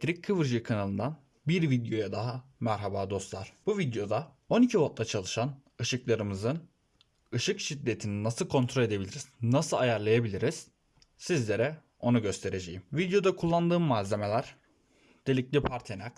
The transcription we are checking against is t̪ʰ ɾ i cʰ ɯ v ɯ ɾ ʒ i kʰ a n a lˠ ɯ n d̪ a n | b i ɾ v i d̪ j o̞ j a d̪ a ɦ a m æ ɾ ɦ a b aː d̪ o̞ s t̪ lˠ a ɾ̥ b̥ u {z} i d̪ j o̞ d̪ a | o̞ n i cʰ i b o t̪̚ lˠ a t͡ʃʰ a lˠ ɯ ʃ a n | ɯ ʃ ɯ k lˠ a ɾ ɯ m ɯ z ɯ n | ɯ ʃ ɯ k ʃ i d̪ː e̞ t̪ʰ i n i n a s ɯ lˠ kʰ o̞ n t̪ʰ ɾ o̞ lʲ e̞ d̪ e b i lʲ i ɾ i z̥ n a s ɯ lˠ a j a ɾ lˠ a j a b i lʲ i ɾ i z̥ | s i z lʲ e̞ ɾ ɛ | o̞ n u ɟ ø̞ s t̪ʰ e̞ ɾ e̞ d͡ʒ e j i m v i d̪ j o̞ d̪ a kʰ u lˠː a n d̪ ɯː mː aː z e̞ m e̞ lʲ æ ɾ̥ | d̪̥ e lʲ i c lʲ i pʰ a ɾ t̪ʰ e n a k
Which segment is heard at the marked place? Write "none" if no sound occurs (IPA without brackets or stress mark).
v